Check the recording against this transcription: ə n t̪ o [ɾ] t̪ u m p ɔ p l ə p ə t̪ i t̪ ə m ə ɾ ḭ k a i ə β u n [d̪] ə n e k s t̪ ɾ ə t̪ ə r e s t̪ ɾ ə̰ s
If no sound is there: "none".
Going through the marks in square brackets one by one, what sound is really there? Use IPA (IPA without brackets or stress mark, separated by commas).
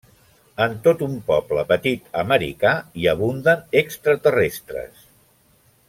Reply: none, d̪